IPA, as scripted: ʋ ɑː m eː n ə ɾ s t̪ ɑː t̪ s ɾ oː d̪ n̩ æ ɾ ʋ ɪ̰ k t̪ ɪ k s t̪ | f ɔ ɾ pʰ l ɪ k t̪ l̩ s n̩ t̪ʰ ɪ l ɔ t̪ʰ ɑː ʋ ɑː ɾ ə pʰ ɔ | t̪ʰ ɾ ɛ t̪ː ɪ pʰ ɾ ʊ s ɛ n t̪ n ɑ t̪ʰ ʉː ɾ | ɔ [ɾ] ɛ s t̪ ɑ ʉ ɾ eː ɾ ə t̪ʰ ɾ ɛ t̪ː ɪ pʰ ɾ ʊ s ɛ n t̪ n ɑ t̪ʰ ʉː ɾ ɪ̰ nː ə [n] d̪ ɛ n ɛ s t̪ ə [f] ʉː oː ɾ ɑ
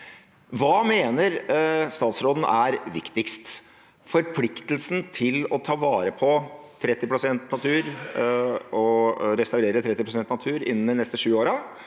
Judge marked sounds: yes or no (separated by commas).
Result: yes, yes, no